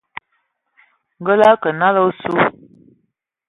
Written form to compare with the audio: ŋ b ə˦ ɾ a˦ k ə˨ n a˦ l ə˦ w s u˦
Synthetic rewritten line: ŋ ɡ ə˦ l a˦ k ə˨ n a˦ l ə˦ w s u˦